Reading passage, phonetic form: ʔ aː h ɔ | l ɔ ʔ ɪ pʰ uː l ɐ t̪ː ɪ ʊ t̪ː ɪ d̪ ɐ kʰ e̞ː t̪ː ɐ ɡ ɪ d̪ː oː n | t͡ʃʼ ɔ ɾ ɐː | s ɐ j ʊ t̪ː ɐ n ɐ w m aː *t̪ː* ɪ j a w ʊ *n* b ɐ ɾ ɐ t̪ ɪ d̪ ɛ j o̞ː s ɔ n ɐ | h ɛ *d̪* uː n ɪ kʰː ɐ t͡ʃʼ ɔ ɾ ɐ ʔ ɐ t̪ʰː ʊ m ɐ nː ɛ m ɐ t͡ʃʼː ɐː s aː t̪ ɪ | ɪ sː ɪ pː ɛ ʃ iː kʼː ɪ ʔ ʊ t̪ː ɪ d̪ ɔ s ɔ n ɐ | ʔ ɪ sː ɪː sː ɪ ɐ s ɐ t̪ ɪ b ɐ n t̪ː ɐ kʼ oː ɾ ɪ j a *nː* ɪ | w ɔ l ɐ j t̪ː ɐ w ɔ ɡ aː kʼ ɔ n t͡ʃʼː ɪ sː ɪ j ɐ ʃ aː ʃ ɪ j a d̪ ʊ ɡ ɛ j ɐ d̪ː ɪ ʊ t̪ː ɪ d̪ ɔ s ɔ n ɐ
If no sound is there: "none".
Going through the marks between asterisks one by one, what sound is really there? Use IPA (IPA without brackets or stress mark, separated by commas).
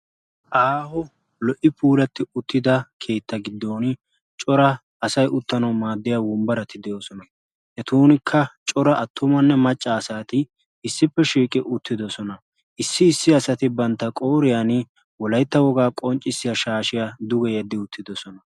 d̪ː, m, t̪, n